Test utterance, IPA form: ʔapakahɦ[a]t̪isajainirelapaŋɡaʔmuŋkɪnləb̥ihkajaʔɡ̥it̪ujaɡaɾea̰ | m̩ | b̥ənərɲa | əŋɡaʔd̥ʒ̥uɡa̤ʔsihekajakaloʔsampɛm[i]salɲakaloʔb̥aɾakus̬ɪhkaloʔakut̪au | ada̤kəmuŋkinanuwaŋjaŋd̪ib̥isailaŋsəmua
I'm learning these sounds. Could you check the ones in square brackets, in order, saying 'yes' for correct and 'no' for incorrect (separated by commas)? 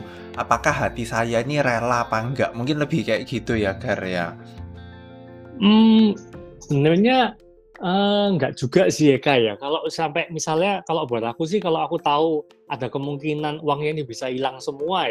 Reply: yes, yes